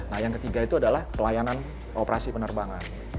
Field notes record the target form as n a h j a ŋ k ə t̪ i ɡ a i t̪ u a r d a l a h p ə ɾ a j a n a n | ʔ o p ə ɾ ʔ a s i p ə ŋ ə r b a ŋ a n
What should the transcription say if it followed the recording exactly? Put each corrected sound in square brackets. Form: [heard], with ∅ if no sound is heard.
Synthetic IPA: n a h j a ŋ k ə t̪ i ɡ a i t̪ u a [∅] d a l a h p ə [l] a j a n a n | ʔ o p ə ɾ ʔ a s i p ə [n] ə r b a ŋ a n